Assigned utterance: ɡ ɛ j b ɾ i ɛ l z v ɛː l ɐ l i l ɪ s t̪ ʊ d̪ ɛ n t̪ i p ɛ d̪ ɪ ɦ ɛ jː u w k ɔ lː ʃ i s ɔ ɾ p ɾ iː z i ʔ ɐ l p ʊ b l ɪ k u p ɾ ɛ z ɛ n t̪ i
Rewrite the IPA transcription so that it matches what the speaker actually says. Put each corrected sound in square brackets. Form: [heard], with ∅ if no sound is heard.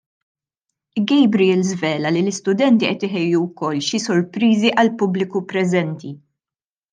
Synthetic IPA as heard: ɡ ɛ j b ɾ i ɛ l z v ɛː l ɐ l i l ɪ s t̪ ʊ d̪ ɛ n t̪ i [ʔ] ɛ [t̪] ɪ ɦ ɛ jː u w k ɔ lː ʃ i s ɔ ɾ p ɾ iː z i ʔ ɐ l p ʊ b l ɪ k u p ɾ ɛ z ɛ n t̪ i